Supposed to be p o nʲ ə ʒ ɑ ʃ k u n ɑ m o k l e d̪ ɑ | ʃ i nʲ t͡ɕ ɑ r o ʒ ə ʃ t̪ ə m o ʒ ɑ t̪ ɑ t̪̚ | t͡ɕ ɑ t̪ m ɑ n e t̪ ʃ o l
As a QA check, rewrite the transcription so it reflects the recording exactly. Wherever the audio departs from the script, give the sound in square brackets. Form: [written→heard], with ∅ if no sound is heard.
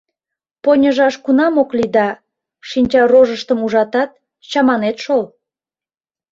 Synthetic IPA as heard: p o nʲ ə ʒ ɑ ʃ k u n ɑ m o k l [e→i] d̪ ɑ | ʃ i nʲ t͡ɕ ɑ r o ʒ ə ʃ t̪ ə m [o→u] ʒ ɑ t̪ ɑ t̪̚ | t͡ɕ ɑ [t̪→∅] m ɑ n e t̪ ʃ o l